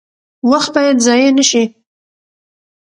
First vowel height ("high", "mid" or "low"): low